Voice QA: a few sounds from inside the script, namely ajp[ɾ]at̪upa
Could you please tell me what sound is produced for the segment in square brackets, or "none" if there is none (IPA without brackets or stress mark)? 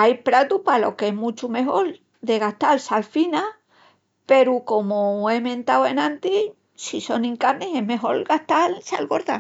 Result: ɾ